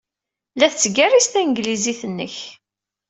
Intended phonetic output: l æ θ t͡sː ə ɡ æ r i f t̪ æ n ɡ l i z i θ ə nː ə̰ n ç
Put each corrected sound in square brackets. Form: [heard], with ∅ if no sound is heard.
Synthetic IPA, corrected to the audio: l æ θ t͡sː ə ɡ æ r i [s] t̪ æ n ɡ l i z i θ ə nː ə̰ [∅] ç